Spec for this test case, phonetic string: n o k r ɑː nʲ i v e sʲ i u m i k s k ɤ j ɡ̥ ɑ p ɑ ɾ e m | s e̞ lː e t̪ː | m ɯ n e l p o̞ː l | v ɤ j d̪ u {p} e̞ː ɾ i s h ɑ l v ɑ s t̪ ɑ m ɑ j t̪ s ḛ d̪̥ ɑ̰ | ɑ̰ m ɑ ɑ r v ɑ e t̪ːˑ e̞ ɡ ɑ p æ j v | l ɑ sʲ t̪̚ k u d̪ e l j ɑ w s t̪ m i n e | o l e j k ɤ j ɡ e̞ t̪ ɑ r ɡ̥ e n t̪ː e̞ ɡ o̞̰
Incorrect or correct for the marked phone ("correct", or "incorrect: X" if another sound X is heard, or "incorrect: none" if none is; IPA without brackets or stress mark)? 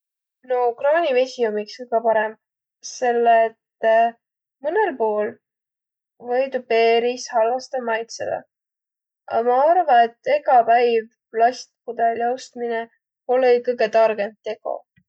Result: correct